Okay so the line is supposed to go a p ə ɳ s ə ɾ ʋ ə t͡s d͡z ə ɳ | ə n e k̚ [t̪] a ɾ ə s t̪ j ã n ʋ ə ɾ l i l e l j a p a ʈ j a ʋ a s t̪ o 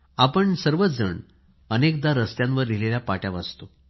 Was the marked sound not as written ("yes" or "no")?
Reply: yes